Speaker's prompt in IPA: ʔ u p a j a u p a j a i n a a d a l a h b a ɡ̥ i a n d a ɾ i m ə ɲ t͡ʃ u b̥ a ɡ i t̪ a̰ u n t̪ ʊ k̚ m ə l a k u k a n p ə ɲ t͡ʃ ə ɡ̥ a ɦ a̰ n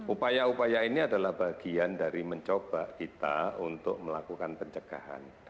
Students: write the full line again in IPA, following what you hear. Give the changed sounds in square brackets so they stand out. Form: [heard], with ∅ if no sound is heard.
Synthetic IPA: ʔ u p a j a u p a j a i n [i] a d a l a h b a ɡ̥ i a n d a ɾ i m ə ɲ t͡ʃ [o] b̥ a [k] i t̪ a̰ u n t̪ ʊ k̚ m ə l a k u k a n p ə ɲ t͡ʃ ə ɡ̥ a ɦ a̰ n